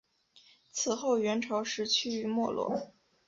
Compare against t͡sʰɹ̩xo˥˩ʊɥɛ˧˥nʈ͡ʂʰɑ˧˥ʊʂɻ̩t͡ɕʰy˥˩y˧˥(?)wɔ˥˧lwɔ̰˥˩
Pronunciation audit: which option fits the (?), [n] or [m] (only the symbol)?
m